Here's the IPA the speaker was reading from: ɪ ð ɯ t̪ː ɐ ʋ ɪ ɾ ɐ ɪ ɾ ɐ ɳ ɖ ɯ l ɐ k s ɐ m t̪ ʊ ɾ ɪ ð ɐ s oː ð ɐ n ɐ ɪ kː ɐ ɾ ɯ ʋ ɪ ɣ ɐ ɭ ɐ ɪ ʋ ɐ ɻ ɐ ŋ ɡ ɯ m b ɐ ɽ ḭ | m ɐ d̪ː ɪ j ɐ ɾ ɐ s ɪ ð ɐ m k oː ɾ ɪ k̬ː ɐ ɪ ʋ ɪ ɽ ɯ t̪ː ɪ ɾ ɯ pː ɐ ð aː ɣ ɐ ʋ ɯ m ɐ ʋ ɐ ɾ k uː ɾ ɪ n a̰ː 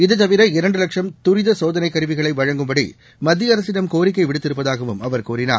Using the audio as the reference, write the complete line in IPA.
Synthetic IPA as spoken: ɪ ð ɯ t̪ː ɐ ʋ ɪ ɾ ɐ ɪ ɾ ɐ ɳ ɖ ɯ l ɐ k ʂ ɐ m t̪ ʊ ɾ ɪ ð ɐ s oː ð ɐ n ɐ ɪ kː ɐ ɾ ɯ ʋ ɪ ɣ ɐ ɭ ɐ ɪ ʋ ɐ ɻ ɐ ŋ ɡ ɯ m b ɐ ɽ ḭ | m ɐ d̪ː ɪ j ɐ ɾ ɐ s ɪ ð ɐ m k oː ɾ ɪ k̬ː ɐ ɪ ʋ ɪ ɽ ɯ t̪ː ɪ ɾ ɯ pː ɐ ð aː ɣ ɐ ʋ ɯ m ɐ ʋ ɐ ɾ k uː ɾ ɪ n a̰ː